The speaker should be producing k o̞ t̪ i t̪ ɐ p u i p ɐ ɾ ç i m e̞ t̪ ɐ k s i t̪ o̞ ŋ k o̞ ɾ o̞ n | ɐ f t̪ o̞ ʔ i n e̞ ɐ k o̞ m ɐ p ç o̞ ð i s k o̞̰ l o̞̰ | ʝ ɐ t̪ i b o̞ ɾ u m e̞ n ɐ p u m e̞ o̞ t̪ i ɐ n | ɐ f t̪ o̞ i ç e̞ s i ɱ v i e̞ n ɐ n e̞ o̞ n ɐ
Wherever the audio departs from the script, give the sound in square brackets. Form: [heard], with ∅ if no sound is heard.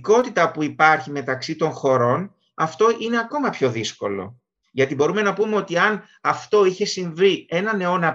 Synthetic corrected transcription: k o̞ t̪ i t̪ ɐ p u i p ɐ ɾ ç i m e̞ t̪ ɐ k s i t̪ o̞ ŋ [x] o̞ ɾ o̞ n | ɐ f t̪ o̞ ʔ i n e̞ ɐ k o̞ m ɐ p ç o̞ ð i s k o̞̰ l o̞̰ | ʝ ɐ t̪ i b o̞ ɾ u m e̞ n ɐ p u m e̞ o̞ t̪ i ɐ n | ɐ f t̪ o̞ i ç e̞ s i ɱ v i e̞ n ɐ n e̞ o̞ n ɐ